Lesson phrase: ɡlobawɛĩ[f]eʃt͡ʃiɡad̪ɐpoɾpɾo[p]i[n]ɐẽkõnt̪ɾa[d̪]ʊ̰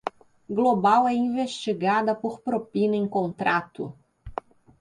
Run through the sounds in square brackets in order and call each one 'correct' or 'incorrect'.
incorrect, correct, correct, incorrect

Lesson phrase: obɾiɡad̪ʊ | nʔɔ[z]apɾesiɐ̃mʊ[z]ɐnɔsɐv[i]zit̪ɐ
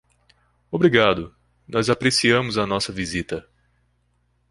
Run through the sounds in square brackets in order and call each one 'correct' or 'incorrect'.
correct, correct, correct

